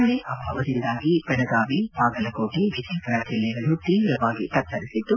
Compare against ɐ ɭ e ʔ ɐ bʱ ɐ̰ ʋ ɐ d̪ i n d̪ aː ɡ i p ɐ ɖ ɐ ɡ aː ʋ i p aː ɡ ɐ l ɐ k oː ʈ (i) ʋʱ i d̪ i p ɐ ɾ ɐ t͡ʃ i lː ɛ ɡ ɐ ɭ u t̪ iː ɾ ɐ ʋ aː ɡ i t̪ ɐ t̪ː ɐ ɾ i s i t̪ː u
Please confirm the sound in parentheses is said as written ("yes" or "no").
yes